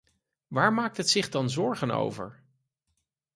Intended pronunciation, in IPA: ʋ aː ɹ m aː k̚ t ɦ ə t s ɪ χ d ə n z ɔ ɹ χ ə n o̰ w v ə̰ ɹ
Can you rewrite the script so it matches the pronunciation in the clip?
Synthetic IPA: ʋ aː ɹ m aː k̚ t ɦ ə t s ɪ χ d ɑ n z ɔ ɹ χ ə n o̰ w v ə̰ ɹ